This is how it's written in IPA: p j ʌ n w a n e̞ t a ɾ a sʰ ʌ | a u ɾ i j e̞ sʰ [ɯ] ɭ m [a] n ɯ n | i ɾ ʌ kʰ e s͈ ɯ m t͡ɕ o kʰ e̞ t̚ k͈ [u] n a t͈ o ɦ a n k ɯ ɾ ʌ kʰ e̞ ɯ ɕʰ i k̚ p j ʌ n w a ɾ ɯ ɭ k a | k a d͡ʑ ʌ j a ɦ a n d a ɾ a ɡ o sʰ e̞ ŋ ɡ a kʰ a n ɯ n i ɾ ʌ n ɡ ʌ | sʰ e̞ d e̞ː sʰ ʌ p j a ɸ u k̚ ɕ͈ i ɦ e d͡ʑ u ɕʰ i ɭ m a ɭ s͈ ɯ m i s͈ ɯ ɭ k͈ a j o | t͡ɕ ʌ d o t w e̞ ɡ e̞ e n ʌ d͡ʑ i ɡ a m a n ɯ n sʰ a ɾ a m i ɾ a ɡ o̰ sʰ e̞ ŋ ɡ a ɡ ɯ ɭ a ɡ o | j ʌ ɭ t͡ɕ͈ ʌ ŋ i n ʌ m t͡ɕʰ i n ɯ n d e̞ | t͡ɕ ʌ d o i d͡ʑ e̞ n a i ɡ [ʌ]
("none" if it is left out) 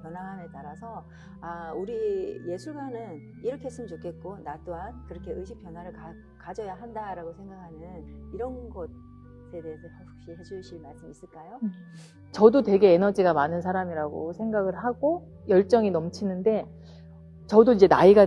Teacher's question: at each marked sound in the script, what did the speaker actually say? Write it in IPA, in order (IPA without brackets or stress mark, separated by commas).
u, a, o, a